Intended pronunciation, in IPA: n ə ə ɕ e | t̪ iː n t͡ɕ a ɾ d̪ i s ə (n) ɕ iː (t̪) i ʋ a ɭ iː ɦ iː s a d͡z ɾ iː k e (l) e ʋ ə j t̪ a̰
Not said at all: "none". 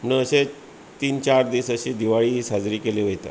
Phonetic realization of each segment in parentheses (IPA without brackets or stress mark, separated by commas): none, d̪, l